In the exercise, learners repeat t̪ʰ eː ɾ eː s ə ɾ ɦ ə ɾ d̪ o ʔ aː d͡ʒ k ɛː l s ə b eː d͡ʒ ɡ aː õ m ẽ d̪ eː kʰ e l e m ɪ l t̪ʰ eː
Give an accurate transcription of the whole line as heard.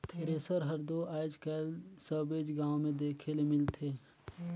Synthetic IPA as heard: t̪ʰ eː ɾ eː s ə ɾ ɦ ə ɾ d̪ o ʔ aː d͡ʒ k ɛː l s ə b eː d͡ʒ ɡ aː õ m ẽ d̪ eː kʰ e l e m ɪ l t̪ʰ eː